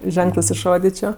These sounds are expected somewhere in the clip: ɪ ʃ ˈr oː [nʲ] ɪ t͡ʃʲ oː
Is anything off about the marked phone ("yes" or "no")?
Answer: yes